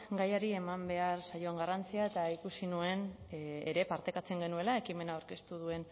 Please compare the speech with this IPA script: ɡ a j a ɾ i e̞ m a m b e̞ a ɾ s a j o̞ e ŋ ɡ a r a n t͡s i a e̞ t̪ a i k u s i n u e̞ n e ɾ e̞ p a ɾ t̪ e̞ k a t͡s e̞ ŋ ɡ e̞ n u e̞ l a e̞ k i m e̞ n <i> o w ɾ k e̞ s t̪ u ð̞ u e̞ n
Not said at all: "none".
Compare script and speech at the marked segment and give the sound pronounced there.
a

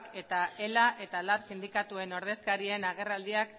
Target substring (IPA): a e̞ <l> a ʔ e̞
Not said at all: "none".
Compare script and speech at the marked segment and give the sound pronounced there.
l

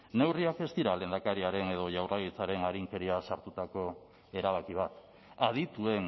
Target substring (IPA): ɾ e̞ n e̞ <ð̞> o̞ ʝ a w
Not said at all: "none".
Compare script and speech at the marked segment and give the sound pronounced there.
ð̞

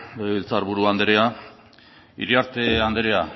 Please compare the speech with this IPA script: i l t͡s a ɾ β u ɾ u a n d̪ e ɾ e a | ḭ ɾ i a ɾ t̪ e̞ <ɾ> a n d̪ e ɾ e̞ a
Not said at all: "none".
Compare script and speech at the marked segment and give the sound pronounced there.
none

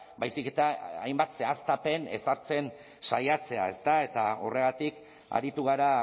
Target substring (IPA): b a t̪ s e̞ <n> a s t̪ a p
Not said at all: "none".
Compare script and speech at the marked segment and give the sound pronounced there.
none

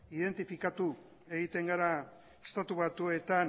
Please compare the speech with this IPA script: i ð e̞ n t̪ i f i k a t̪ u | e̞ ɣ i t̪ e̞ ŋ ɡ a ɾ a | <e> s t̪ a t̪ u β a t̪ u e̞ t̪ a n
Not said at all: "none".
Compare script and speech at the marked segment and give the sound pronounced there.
e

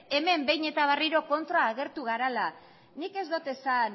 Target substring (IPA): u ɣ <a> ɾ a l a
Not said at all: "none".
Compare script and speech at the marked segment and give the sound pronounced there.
a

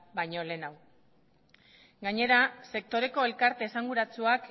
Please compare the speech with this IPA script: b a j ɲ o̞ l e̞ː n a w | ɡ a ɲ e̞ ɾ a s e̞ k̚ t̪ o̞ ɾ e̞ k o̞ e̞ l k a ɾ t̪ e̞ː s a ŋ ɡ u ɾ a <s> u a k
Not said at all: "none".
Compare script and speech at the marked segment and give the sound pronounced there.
t͡s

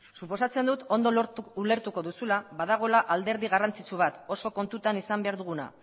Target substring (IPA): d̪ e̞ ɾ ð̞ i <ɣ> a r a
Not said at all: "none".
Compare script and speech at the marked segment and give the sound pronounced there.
ɣ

